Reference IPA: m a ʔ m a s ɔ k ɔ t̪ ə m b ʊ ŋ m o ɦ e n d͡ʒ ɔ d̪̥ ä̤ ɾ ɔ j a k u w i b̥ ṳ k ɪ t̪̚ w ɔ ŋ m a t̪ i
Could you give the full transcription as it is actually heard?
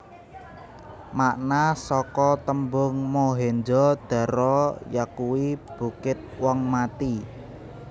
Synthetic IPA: m a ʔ n a s ɔ k ɔ t̪ ə m b ʊ ŋ m o ɦ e n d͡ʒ ɔ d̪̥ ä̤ ɾ ɔ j a k u w i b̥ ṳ k ɪ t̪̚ w ɔ ŋ m a t̪ i